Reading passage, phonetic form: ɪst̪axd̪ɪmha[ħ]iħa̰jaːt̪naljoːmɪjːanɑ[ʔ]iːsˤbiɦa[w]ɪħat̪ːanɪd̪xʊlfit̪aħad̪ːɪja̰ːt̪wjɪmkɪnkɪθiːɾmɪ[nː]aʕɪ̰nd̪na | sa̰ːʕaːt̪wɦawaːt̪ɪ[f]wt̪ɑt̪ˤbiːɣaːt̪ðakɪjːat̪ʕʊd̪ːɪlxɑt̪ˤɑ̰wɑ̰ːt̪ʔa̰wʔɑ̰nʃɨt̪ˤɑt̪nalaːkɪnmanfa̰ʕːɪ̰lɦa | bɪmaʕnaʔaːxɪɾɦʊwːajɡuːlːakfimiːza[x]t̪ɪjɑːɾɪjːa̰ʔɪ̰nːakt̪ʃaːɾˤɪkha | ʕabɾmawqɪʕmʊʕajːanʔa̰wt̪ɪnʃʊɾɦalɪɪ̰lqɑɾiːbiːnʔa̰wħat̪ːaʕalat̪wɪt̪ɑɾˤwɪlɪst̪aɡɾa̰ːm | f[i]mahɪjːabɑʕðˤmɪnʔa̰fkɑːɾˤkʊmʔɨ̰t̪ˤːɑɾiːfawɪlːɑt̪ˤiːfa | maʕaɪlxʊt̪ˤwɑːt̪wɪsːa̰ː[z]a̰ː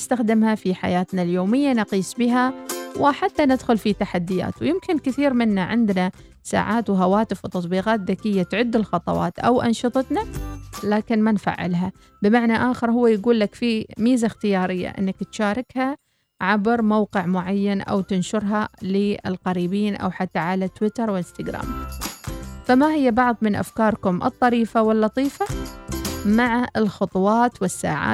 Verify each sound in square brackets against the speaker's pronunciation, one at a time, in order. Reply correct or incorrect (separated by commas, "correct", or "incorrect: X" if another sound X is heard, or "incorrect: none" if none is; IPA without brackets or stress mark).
incorrect: f, incorrect: q, correct, correct, correct, correct, incorrect: a, incorrect: ʕ